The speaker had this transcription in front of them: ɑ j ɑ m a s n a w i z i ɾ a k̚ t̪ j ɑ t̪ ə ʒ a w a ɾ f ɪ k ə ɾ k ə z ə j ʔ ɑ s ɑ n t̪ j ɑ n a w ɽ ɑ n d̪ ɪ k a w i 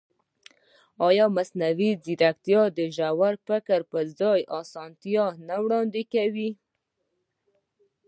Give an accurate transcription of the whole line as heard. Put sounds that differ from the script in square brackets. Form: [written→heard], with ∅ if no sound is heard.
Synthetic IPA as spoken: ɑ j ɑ m a s n a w i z i ɾ a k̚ t̪ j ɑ [t̪→d̪] ə ʒ a w a ɾ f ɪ k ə ɾ [k→p] ə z [ə→ɑ] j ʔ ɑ s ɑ n t̪ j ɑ n a w ɽ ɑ n d̪ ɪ k a w i